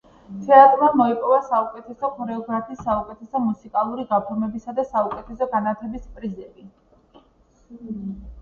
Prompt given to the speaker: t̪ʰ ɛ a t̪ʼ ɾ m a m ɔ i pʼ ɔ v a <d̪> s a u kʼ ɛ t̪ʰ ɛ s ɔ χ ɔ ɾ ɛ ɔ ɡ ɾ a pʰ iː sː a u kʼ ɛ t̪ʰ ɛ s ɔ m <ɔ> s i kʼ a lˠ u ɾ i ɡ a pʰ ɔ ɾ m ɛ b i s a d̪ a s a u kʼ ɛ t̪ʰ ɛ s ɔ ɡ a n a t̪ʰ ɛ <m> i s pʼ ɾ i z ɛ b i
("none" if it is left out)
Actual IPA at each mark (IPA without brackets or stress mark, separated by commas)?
none, u, b